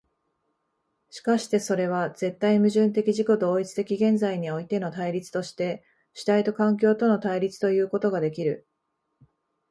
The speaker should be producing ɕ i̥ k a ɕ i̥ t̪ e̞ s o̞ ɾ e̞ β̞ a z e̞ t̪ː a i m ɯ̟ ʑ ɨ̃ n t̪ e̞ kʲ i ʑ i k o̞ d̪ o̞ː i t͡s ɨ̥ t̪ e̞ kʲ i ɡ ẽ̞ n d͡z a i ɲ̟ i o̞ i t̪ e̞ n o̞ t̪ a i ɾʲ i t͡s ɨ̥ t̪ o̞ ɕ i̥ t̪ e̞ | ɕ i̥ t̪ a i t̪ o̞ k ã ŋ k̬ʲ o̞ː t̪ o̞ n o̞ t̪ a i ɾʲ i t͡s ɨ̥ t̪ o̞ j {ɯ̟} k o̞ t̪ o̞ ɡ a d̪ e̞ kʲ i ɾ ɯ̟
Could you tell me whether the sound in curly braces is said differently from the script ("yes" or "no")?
yes